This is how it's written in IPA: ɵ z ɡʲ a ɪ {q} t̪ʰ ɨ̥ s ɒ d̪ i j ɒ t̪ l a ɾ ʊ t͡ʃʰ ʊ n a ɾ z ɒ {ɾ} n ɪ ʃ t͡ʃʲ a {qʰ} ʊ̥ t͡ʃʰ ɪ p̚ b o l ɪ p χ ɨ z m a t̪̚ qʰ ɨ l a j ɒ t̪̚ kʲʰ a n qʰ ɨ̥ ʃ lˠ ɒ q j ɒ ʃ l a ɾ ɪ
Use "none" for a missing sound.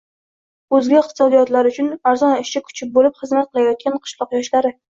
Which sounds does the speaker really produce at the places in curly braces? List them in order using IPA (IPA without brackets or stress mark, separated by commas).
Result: q, none, kʰ